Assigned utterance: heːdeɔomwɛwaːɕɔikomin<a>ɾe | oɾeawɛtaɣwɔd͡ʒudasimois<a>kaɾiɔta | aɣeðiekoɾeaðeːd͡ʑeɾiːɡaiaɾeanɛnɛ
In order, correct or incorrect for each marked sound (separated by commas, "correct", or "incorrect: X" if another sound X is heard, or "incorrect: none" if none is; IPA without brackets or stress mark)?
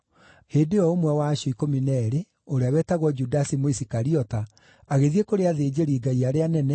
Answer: incorrect: ɛ, incorrect: i